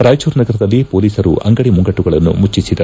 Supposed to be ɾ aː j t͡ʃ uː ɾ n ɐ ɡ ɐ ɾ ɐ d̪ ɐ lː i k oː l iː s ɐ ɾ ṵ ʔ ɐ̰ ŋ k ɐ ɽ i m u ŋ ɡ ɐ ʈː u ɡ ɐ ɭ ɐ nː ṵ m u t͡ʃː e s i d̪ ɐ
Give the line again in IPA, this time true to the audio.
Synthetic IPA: ɾ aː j t͡ʃ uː ɾ n ɐ ɡ ɐ ɾ ɐ d̪ ɐ lː i p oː l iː s ɐ ɾ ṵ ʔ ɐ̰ ŋ ɡ ɐ ɽ i m u ŋ ɡ ɐ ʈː u ɡ ɐ ɭ ɐ nː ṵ m u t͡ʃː i s i d̪ ɐ